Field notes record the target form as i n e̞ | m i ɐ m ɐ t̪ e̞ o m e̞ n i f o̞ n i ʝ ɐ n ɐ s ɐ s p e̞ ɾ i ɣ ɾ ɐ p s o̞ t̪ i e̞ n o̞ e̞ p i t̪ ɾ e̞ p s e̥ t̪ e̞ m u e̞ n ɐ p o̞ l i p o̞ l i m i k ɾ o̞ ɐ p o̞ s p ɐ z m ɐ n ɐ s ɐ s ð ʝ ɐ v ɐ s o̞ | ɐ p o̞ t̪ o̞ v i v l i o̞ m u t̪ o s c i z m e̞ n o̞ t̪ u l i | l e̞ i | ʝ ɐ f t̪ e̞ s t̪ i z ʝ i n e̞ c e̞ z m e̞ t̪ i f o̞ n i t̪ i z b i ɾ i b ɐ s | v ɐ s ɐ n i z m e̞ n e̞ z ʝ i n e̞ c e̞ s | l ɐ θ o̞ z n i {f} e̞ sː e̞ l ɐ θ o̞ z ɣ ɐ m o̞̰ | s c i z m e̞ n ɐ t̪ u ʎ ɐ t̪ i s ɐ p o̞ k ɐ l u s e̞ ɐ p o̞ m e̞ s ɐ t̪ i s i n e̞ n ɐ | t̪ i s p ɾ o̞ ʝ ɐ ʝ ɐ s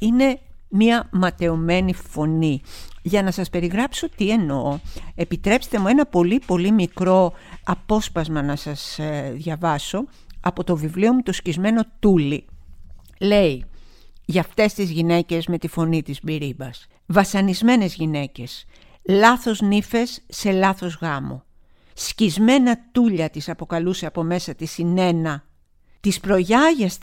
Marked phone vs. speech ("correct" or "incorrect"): correct